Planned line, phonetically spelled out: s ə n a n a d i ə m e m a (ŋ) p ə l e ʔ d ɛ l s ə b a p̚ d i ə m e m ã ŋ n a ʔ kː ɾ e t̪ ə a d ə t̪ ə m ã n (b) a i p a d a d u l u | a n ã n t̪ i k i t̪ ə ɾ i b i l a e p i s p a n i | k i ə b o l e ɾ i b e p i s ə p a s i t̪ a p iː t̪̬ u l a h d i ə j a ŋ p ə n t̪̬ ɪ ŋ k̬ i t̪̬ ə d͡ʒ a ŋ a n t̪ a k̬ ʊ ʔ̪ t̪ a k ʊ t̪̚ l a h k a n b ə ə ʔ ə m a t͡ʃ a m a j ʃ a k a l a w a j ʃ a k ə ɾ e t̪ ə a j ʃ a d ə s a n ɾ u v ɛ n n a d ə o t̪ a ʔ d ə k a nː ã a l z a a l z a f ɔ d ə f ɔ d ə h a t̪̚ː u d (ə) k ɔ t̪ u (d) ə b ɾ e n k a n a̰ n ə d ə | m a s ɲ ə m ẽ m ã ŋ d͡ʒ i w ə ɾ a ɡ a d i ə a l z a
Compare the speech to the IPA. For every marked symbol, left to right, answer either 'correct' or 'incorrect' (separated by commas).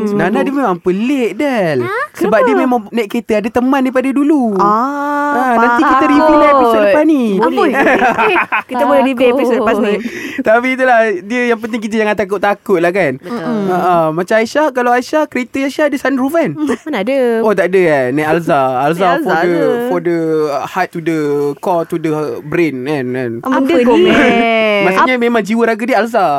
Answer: correct, incorrect, correct, correct